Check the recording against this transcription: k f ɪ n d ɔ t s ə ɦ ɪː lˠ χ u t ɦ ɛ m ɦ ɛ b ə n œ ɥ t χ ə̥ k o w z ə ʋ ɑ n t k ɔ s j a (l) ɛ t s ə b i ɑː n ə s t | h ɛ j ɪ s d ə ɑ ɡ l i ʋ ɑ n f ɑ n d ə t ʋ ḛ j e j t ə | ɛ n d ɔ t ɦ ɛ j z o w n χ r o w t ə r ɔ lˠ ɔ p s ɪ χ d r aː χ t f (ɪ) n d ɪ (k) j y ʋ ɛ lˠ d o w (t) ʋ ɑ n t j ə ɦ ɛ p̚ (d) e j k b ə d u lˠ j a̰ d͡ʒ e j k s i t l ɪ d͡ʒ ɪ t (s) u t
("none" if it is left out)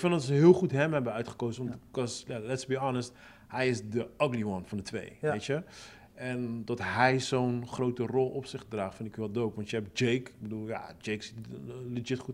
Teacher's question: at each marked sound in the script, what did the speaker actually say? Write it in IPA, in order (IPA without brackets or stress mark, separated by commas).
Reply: l, ɪ, k, p, d͡ʒ, χ